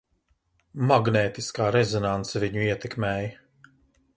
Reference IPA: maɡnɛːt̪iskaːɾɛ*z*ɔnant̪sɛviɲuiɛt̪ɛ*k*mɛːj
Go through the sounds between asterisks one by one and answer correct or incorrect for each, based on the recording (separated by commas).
correct, correct